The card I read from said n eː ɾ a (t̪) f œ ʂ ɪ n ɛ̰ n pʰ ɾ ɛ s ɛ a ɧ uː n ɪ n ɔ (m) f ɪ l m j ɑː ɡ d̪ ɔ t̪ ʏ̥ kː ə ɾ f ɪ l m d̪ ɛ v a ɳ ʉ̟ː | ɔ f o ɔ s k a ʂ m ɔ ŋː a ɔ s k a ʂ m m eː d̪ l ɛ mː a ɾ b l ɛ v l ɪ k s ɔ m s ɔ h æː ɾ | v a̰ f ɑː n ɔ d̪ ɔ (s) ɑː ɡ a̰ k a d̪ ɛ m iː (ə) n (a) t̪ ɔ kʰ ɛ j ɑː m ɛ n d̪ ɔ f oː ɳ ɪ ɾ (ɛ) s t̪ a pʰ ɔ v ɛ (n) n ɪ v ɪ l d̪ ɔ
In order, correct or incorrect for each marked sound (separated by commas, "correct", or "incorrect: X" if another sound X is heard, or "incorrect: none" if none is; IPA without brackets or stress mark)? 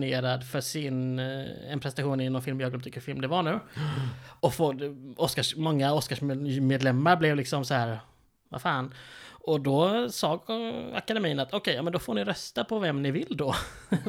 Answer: incorrect: d̪, incorrect: n, correct, correct, correct, incorrect: œ, incorrect: m